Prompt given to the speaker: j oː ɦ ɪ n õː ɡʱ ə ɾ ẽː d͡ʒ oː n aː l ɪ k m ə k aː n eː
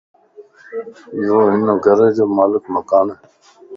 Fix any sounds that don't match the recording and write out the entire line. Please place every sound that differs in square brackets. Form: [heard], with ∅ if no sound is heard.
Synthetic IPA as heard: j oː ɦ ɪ n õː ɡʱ ə ɾ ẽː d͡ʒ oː [m] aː l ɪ k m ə k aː n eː